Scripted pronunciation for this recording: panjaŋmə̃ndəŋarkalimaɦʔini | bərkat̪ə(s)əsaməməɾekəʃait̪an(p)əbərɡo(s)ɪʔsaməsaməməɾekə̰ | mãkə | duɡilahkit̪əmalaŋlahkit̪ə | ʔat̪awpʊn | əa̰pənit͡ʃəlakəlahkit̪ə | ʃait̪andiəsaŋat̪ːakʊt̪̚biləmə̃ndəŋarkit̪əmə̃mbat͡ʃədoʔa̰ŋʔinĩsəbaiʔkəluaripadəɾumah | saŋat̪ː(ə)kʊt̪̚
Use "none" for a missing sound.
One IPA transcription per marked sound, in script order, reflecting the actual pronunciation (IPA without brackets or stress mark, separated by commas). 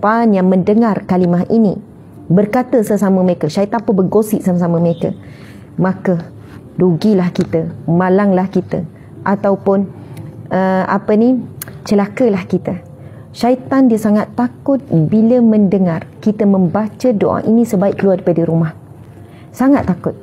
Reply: s, p, s, a